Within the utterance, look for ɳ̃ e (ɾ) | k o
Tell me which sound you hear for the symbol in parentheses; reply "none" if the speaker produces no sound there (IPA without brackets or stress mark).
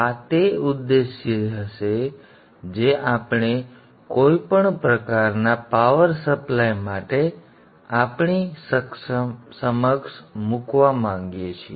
none